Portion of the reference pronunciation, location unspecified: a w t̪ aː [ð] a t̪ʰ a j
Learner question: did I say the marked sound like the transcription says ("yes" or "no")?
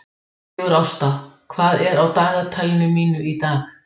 no